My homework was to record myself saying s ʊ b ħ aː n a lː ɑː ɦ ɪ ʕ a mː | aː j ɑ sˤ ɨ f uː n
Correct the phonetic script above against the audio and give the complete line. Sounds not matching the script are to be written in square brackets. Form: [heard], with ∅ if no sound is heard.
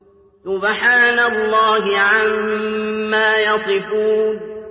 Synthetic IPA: s ʊ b ħ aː n a lː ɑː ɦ ɪ ʕ a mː | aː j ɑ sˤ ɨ f uː n

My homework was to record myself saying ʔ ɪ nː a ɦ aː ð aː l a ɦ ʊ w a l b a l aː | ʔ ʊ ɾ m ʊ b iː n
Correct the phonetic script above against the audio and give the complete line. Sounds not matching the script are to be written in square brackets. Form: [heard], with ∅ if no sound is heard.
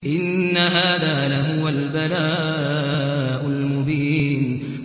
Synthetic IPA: ʔ ɪ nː a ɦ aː ð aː l a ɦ ʊ w a l b a l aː | ʔ ʊ [l] m ʊ b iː n

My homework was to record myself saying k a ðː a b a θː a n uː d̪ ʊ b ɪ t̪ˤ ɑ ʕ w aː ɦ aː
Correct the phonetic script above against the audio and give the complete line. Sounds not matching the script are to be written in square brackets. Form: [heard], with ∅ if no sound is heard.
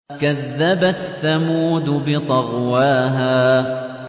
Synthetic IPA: k a ðː a b a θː a [m] uː d̪ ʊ b ɪ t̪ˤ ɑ [ɣ] w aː ɦ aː

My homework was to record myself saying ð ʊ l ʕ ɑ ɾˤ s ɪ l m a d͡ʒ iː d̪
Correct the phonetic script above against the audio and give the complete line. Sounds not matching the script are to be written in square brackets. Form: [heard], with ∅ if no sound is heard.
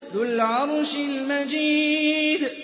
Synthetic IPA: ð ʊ l ʕ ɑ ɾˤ [ʃ] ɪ l m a d͡ʒ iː d̪

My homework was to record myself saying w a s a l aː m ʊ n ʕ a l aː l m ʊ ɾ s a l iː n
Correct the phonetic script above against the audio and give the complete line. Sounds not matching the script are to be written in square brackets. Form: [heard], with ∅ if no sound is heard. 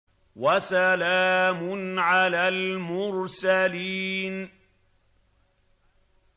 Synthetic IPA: w a s a l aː m ʊ n ʕ a l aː l m ʊ ɾ s a l iː n

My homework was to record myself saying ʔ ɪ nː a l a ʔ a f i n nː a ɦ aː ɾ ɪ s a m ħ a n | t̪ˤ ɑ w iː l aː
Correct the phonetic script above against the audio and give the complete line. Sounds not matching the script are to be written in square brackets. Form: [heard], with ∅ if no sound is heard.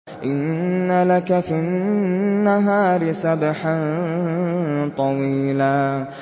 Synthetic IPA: ʔ ɪ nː a l a [k] a f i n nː a ɦ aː ɾ ɪ s a [b] ħ a n | t̪ˤ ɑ w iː l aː

